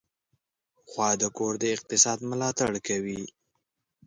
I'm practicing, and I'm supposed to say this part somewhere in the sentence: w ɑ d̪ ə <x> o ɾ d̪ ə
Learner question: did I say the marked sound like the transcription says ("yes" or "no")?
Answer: no